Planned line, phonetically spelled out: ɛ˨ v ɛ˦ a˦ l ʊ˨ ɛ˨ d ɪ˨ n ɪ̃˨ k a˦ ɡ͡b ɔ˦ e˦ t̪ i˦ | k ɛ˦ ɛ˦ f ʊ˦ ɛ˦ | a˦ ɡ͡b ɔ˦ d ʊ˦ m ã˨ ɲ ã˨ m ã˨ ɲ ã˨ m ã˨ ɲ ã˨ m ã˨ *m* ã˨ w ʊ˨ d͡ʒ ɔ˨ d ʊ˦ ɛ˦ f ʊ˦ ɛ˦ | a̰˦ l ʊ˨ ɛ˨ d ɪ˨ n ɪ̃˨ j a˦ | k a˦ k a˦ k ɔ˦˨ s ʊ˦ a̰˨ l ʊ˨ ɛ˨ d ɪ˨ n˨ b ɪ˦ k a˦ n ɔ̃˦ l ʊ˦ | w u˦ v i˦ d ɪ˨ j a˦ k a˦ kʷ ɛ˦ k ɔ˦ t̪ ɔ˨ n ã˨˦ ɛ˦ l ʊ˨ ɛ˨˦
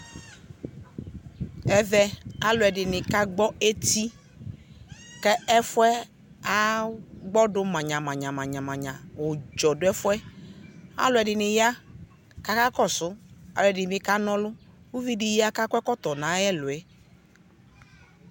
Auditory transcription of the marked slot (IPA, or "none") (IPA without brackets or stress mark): ɲ